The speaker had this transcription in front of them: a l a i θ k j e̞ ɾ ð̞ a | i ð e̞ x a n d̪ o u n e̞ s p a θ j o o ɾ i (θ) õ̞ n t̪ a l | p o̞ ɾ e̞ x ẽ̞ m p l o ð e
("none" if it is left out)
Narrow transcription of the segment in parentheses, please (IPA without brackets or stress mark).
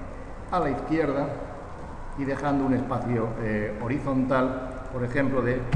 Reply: θ